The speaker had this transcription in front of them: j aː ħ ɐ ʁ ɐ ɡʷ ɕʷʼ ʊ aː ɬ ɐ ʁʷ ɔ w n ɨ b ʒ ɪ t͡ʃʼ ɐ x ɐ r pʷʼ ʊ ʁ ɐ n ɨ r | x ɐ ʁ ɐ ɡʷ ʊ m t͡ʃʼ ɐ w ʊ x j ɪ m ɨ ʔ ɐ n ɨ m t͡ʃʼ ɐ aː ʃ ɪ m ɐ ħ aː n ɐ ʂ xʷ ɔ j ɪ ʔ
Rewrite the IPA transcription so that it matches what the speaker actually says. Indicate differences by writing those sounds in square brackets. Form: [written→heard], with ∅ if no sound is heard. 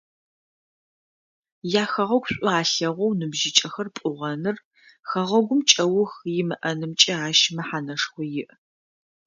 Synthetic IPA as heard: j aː [ħ→x] ɐ ʁ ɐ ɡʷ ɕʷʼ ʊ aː ɬ ɐ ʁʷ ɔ w n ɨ b ʒ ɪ t͡ʃʼ ɐ x ɐ r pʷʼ ʊ ʁ ɐ n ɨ r | x ɐ ʁ ɐ ɡʷ ʊ m t͡ʃʼ ɐ w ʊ x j ɪ m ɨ ʔ ɐ n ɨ m t͡ʃʼ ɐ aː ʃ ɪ m ɐ ħ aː n ɐ ʂ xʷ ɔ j ɪ ʔ